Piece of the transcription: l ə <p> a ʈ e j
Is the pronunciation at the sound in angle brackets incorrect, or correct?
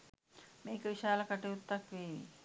incorrect